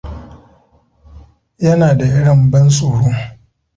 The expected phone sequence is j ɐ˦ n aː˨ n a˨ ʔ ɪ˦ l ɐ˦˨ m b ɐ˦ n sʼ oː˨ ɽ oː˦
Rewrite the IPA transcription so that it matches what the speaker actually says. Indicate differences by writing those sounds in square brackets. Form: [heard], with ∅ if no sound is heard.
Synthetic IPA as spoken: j ɐ˦ n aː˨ [d] a˨ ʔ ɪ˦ [ɽ] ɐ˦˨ m b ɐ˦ n sʼ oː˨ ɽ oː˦